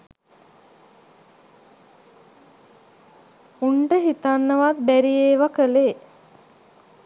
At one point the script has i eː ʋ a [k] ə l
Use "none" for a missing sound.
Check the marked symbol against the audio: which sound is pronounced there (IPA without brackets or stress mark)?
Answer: k